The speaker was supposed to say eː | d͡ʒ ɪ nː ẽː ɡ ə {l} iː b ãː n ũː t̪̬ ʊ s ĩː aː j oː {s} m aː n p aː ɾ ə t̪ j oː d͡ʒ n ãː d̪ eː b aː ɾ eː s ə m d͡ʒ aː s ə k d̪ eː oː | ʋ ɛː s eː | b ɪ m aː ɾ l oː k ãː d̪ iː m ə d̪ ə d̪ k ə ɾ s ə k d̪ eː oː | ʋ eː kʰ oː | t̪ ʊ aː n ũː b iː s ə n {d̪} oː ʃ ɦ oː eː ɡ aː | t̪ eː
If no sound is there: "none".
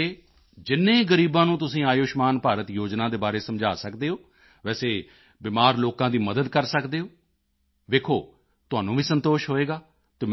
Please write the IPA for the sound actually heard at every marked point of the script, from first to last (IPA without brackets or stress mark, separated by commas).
ɾ, ʃ, t̪